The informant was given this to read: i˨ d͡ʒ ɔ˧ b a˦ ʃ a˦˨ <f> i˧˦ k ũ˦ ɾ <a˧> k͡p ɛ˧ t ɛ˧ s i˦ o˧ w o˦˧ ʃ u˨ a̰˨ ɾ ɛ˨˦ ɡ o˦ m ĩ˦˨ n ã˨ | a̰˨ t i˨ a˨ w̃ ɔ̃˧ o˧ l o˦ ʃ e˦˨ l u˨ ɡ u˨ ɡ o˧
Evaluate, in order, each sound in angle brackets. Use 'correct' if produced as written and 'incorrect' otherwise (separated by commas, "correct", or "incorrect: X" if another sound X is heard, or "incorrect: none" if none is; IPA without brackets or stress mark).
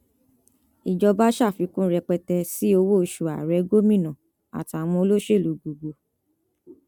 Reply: correct, incorrect: ɛ˧